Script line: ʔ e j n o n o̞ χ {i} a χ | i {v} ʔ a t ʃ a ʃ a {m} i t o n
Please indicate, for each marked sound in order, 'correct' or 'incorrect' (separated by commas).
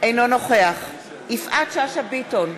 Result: incorrect, incorrect, incorrect